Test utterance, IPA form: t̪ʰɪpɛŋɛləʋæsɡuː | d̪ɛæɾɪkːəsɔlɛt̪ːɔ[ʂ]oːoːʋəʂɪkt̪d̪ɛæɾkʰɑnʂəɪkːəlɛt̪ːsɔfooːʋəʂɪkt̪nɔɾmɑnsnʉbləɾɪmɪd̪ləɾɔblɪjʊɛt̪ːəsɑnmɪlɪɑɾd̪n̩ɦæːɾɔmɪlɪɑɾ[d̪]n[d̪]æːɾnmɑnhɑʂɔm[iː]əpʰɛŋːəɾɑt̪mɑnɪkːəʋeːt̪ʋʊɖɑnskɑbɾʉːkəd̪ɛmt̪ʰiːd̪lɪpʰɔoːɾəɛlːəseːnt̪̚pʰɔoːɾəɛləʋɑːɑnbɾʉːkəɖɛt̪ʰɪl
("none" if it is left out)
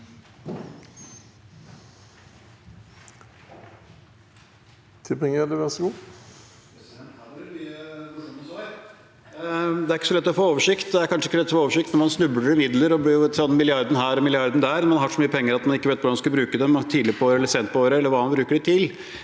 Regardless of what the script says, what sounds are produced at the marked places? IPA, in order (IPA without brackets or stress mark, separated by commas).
f, d̪, d̪, yː